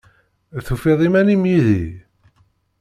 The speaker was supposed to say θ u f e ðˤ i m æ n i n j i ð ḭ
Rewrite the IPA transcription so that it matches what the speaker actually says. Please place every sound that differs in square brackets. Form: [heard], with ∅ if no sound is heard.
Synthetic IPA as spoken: θ u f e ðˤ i m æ n i [m] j i ð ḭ